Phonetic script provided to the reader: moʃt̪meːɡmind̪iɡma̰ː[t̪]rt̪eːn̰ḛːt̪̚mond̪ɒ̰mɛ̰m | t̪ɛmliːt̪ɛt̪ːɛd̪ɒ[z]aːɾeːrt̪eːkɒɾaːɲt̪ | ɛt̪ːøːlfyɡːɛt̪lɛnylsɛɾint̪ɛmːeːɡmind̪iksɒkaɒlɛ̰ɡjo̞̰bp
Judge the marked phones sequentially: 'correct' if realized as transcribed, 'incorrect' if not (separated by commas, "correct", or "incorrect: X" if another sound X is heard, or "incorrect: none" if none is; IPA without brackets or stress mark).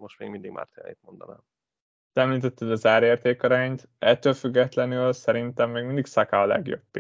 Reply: incorrect: none, correct